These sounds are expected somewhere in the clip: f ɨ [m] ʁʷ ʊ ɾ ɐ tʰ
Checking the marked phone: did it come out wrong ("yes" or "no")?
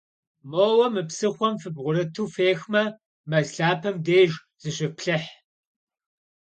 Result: yes